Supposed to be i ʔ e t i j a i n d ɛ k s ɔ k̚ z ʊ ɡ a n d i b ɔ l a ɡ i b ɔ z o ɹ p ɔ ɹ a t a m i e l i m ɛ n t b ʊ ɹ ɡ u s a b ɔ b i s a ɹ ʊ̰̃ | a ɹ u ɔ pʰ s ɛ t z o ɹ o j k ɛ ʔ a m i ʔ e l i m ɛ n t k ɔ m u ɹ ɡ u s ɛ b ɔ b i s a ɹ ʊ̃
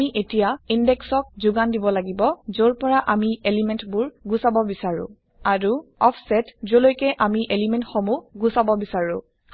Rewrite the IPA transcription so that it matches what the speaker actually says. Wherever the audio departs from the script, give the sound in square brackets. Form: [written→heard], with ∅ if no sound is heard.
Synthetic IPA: i ʔ e t i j a i n d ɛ k s ɔ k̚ z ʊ ɡ a n d i b ɔ l a ɡ i b ɔ z o ɹ p ɔ ɹ a [t→ʔ] a m i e l i m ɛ n t b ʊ ɹ ɡ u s a b ɔ b i s a ɹ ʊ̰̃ | a ɹ u ɔ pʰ s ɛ t z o [ɹ→l] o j k ɛ ʔ a m i ʔ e l i m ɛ n t [k→x] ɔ m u [ɹ→∅] ɡ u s [ɛ→a] b ɔ b i s a ɹ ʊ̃